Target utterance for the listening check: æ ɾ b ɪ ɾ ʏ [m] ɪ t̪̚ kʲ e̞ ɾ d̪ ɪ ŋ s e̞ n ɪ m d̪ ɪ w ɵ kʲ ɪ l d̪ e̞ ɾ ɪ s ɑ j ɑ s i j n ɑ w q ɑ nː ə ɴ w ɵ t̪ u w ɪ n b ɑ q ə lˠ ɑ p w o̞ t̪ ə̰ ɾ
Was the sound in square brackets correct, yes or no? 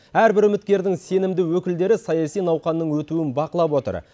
yes